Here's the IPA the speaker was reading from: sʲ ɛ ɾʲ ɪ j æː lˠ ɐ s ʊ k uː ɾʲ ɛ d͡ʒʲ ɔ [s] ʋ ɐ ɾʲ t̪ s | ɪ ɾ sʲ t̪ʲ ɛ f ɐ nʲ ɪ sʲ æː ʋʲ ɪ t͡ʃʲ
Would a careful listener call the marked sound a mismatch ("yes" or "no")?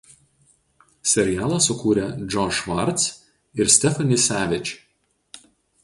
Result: yes